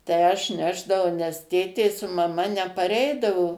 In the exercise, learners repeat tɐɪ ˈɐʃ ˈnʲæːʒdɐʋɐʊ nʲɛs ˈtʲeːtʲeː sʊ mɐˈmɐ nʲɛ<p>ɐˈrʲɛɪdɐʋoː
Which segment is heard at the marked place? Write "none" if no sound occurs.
p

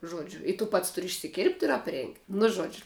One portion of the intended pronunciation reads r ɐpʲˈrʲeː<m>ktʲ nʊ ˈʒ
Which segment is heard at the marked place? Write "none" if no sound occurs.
ŋ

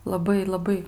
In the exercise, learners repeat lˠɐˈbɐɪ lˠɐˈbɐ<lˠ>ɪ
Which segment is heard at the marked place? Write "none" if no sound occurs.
none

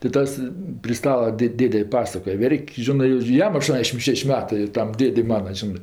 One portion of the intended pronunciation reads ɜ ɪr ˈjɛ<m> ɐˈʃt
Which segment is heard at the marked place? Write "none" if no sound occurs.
m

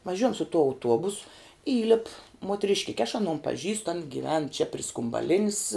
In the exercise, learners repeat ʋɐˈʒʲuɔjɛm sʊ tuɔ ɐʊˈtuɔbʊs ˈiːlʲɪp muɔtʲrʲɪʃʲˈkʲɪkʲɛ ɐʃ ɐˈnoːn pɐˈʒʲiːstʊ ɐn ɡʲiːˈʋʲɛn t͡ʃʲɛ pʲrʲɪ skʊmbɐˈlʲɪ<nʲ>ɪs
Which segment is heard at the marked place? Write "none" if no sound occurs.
nʲ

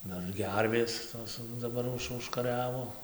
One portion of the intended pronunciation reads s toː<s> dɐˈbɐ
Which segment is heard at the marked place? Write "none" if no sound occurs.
s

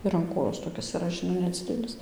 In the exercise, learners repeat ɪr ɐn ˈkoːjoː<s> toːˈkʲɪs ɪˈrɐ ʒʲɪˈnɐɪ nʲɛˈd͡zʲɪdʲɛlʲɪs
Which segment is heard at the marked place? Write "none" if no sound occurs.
s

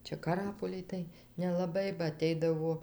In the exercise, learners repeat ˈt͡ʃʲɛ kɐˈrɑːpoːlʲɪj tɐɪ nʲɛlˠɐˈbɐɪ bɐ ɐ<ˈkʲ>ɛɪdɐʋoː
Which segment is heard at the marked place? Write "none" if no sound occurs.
tʲ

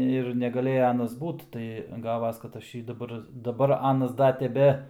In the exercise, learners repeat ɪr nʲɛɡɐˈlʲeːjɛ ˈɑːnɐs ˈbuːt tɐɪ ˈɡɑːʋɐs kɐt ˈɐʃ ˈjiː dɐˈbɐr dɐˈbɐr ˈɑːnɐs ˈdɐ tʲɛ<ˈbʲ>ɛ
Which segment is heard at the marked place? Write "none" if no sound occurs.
bʲ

